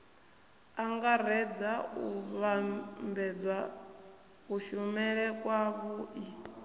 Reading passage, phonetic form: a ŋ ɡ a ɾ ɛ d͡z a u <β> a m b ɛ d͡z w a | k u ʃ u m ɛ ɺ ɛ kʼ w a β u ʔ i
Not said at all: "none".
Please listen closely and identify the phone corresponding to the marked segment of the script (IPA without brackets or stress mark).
β